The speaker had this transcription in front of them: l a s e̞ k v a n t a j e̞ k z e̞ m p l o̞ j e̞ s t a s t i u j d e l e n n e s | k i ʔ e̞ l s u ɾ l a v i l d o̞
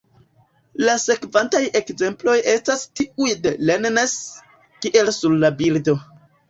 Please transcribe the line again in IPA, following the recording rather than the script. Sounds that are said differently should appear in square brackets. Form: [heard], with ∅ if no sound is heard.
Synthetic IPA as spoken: l a s e̞ k v a n t a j e̞ k z e̞ m p l o̞ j e̞ s t a s t i u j d e l e n n e s | k i ʔ e̞ l s u ɾ l a [b] i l d o̞

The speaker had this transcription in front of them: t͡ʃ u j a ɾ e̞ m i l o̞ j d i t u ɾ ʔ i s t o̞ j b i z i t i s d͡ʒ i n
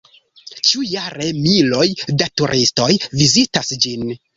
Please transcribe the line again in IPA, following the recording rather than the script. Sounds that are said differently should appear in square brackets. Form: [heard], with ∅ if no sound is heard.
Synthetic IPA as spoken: t͡ʃ u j a ɾ e̞ m i l o̞ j d [a] t u ɾ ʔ i s t o̞ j [v] i z i t [a] s d͡ʒ i n

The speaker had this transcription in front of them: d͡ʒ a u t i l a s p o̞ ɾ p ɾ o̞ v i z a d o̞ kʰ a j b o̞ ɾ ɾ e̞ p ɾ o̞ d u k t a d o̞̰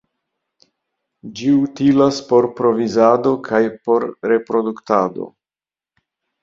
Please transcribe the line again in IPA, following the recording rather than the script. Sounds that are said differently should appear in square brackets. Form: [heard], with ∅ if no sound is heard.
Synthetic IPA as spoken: d͡ʒ [i] u t i l a s p o̞ ɾ p ɾ o̞ v i z a d o̞ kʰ a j [p] o̞ ɾ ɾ e̞ p ɾ o̞ d u k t a d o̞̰

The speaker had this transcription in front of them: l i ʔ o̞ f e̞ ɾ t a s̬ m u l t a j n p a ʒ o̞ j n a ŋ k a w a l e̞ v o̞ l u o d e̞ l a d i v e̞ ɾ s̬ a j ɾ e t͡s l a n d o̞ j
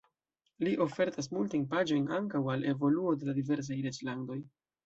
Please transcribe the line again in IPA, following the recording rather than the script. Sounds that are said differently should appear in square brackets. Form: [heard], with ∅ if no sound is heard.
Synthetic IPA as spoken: l i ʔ o̞ f e̞ ɾ t a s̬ m u l t a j n p a [d͡ʒ] o̞ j n a ŋ k a w a l e̞ v o̞ l u o d e̞ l a d i v e̞ ɾ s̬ a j ɾ e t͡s l a n d o̞ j

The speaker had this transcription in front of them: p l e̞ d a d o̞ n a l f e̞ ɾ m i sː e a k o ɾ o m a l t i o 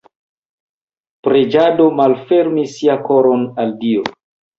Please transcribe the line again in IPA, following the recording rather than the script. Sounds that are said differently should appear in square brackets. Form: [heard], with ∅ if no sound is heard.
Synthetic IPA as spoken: p [ɾ] e̞ [d͡ʒ] a d o̞ [m] a l f e̞ ɾ m i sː [i] a k o ɾ o [n] a l [d] i o

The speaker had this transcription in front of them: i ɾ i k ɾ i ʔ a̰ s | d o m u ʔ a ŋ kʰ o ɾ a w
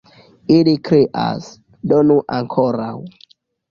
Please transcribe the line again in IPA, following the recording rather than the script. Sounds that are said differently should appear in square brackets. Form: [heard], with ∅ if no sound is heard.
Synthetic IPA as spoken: i [l] i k ɾ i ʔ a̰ s | d o [n] u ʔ a ŋ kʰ o ɾ a w

